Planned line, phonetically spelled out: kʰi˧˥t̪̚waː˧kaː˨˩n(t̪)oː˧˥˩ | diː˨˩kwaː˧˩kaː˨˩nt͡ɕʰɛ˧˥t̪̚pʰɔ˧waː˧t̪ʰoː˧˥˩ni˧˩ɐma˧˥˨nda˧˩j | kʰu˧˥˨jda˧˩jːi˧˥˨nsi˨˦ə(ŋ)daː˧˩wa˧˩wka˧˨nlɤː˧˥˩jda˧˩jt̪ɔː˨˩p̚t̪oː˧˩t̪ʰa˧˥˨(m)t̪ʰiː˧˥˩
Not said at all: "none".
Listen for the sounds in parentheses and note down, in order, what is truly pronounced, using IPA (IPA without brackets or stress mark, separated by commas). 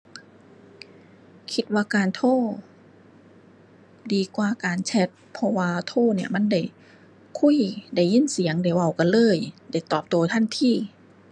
t̪ʰ, ŋ, n